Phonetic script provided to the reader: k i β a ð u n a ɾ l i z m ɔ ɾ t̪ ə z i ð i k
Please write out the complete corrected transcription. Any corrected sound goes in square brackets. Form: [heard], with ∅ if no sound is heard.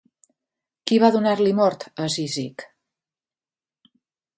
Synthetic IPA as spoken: k i β a ð u n a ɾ l i [∅] m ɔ ɾ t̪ ə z i [z] i k

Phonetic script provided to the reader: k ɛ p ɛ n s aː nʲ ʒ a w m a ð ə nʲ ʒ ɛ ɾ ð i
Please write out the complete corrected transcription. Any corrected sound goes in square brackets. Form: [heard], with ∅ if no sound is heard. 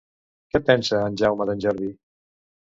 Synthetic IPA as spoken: k ɛ p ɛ n s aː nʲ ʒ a w m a ð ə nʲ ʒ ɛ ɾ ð i

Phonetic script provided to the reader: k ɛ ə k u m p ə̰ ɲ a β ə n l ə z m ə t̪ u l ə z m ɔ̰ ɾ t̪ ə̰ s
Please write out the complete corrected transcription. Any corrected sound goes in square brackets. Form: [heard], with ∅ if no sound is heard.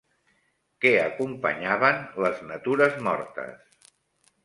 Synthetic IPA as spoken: k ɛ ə k u m p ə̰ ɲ a β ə n l ə z [n] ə t̪ u [ɾ] ə z m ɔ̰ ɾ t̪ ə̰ s

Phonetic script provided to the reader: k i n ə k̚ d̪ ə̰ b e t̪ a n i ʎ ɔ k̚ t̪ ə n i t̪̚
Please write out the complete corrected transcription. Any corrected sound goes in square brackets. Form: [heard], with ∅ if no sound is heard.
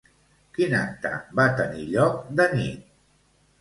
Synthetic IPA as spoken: k i n [a] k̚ [t̪] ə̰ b [a] t̪ [ə] n i ʎ ɔ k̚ [d̪] ə n i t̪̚

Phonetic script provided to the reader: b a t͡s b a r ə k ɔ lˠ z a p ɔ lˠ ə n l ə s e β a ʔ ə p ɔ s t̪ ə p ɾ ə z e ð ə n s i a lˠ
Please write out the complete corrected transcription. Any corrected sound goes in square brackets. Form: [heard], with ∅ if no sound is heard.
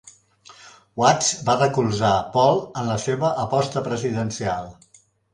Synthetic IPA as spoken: [w] a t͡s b a r ə k [u] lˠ z a p ɔ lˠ ə n l ə s e β [ə] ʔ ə p ɔ s t̪ ə p ɾ ə z [i] ð ə n s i a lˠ

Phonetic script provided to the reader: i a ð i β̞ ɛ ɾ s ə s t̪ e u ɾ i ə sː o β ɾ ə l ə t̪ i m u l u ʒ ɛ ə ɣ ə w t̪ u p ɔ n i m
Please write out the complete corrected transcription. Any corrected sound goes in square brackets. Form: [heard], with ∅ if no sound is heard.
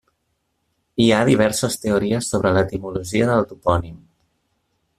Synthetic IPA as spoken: i a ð i β̞ ɛ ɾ s ə s t̪ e u ɾ i ə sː o β ɾ ə l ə t̪ i m u l u ʒ [i] ə [ð] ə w t̪ u p ɔ n i m

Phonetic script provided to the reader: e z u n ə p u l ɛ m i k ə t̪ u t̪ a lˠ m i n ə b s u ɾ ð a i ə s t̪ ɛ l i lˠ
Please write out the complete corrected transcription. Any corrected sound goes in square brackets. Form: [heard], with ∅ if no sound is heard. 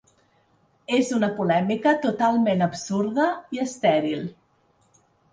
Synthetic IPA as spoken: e z u n ə p u l ɛ m i k ə t̪ u t̪ a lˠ m [e] n ə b s u ɾ ð [ə] i ə s t̪ ɛ [ɾ] i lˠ

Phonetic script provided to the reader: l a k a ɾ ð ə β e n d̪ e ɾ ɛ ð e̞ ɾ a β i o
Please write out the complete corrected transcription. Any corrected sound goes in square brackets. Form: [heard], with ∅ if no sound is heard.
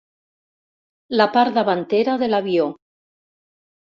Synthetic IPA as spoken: l a [p] a ɾ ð [a] β [a] n [t̪] e ɾ [a] ð e̞ [l] a β [j] o

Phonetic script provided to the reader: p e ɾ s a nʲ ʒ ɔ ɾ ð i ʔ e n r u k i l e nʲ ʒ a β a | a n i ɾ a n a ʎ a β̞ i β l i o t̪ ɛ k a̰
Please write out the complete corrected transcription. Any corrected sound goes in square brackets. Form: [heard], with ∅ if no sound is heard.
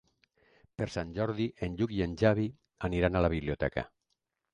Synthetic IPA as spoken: p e ɾ s a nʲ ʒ ɔ ɾ ð i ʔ e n [ʎ] u k i [∅] e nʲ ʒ a β [i] | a n i ɾ a n a [l] a β̞ i β l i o t̪ ɛ k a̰

